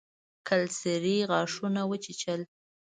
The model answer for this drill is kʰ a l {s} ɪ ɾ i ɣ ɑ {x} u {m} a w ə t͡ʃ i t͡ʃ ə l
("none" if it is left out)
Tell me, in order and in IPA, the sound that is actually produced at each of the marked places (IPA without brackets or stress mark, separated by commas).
s, ʂ, n